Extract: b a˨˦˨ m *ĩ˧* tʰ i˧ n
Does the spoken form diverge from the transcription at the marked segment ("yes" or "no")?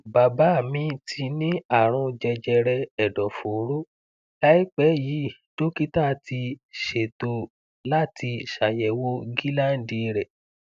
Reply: no